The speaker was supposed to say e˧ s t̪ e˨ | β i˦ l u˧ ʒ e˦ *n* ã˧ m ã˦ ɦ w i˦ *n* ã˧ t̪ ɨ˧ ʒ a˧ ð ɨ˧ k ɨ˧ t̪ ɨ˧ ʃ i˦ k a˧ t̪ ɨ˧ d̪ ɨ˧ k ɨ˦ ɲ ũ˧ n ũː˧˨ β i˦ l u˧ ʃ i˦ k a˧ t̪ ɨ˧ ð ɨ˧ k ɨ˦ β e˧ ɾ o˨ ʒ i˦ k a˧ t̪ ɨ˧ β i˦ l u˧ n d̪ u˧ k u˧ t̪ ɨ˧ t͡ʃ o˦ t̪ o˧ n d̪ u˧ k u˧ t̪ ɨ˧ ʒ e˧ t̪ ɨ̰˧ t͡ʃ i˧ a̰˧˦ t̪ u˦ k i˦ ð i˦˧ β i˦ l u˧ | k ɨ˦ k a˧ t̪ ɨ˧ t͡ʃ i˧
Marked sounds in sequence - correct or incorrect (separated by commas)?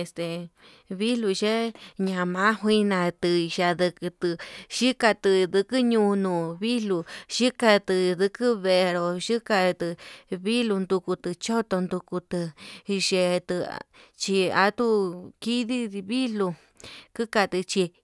incorrect, correct